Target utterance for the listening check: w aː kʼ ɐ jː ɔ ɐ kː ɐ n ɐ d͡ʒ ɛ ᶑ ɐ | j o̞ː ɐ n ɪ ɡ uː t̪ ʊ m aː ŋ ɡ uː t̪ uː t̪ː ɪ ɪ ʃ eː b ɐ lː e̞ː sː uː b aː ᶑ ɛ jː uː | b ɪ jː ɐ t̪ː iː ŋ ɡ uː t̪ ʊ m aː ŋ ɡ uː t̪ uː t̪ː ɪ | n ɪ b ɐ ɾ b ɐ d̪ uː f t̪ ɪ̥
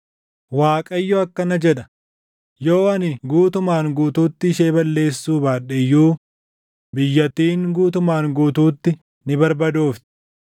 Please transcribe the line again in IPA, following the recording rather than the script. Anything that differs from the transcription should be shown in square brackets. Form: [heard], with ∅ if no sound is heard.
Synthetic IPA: w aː kʼ ɐ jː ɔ ɐ kː ɐ n ɐ d͡ʒ ɛ ᶑ ɐ | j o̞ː ɐ n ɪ ɡ uː t̪ ʊ m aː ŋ ɡ uː t̪ uː t̪ː ɪ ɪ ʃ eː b ɐ lː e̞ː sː uː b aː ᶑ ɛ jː uː | b ɪ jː ɐ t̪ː iː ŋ ɡ uː t̪ ʊ m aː ŋ ɡ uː t̪ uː t̪ː ɪ | n ɪ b ɐ ɾ b ɐ d̪ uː f t̪ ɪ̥

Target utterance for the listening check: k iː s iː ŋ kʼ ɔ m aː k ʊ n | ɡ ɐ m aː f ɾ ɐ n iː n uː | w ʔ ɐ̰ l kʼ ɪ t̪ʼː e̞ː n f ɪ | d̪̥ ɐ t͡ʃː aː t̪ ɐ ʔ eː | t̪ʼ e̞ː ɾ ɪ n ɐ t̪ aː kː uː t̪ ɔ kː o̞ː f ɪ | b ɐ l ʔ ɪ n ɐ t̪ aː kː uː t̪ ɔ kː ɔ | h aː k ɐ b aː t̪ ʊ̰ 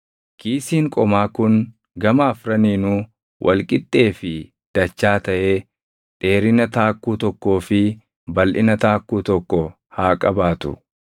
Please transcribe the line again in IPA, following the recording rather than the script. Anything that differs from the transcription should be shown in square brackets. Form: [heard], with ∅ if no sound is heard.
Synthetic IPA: k iː s iː ŋ kʼ ɔ m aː k ʊ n | ɡ ɐ m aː f ɾ ɐ n iː n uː | w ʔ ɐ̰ l kʼ ɪ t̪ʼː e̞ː [∅] f ɪ | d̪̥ ɐ t͡ʃː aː t̪ ɐ ʔ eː | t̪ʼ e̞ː ɾ ɪ n ɐ t̪ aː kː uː t̪ ɔ kː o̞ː f ɪ | b ɐ l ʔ ɪ n ɐ t̪ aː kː uː t̪ ɔ kː ɔ | h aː [kʼ] ɐ b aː t̪ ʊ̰

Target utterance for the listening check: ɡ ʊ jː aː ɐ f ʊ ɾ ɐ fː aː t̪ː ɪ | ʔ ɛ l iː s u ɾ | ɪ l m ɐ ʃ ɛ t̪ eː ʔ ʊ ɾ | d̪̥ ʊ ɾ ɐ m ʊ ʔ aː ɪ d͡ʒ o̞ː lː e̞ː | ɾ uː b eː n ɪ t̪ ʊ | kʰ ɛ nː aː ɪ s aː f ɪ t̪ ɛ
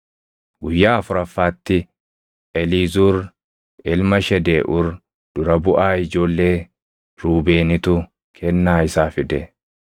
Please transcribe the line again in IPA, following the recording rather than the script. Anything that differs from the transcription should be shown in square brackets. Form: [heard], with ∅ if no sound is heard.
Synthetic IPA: ɡ ʊ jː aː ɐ f ʊ ɾ ɐ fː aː t̪ː ɪ | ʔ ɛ l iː [z] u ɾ | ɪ l m ɐ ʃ ɛ [d̪] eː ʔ ʊ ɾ | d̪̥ ʊ ɾ ɐ [b] ʊ ʔ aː ɪ d͡ʒ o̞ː lː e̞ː | ɾ uː b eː n ɪ t̪ ʊ | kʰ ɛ nː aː ɪ s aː f ɪ [d̪] ɛ

